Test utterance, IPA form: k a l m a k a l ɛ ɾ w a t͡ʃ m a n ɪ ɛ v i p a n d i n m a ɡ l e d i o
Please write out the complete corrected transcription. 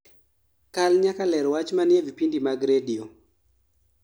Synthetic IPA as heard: k a l ɲ a k a l ɛ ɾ w a t͡ʃ m a n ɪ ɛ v i p i n d i m a ɡ ɾ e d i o